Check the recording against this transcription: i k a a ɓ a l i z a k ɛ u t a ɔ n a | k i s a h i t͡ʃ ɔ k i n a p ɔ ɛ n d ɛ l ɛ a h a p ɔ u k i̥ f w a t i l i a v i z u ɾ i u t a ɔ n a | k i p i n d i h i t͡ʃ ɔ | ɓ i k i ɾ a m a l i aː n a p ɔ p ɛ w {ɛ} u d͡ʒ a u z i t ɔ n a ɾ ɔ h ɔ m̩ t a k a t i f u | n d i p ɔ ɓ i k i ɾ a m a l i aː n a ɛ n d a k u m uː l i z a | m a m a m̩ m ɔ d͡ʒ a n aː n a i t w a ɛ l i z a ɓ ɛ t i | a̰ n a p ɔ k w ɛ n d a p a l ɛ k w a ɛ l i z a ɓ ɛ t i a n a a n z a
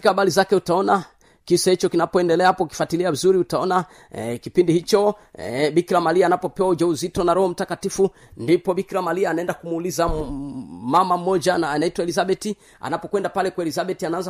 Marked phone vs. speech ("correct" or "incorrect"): incorrect